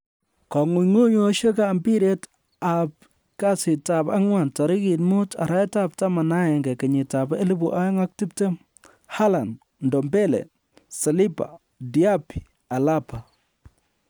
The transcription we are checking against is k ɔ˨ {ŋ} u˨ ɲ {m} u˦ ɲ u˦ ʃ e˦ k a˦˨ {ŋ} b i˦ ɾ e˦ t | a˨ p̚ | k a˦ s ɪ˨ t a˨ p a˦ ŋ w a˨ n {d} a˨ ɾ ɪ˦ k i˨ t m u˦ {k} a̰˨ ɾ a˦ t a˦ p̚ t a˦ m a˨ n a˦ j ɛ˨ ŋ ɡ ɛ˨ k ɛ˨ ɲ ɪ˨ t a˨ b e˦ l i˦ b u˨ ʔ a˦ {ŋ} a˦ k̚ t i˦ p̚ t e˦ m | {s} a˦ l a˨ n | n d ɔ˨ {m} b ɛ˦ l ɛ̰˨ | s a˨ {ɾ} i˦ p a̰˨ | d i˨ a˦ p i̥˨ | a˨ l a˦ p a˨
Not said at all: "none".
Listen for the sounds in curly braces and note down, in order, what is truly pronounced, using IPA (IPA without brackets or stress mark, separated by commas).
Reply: ŋ, ŋ, m, t, t, ŋ, h, m, l